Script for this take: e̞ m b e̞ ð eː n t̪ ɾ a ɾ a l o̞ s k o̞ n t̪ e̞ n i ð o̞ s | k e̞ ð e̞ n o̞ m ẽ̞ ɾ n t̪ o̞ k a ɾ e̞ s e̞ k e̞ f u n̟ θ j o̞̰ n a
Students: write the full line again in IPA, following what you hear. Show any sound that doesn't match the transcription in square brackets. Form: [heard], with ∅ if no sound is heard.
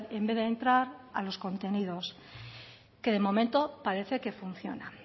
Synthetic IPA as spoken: e̞ m b e̞ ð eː n t̪ ɾ a ɾ a l o̞ s k o̞ n t̪ e̞ n i ð o̞ s | k e̞ ð e̞ [m] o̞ m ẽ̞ [∅] n t̪ o̞ [p] a ɾ e̞ [θ] e̞ k e̞ f u n̟ θ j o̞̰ n a